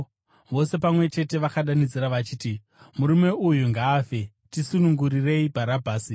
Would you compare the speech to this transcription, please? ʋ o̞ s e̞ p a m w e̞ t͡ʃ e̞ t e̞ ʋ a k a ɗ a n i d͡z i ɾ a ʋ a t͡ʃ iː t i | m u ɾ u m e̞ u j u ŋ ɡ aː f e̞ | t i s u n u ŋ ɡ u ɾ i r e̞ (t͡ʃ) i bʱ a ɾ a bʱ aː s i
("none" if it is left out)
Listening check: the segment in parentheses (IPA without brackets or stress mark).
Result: none